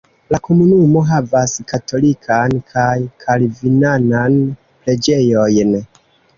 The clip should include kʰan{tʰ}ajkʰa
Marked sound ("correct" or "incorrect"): incorrect